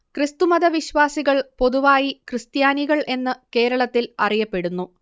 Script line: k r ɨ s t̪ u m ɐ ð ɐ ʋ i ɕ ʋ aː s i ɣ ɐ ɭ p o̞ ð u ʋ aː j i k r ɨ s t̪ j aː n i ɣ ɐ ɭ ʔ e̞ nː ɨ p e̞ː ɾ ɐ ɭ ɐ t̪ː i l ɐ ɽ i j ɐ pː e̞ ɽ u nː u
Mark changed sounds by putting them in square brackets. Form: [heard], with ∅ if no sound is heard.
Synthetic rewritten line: k r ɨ s t̪ u m ɐ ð ɐ ʋ i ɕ ʋ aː s i ɣ ɐ ɭ p o̞ ð u ʋ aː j i k r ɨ s t̪ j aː n i ɣ ɐ ɭ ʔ e̞ nː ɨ [k] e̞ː ɾ ɐ ɭ ɐ t̪ː i l ɐ [r] i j ɐ pː e̞ ɽ u nː u